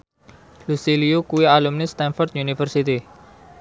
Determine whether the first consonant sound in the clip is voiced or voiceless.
voiced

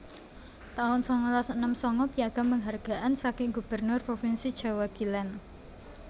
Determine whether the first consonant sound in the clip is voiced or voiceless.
voiceless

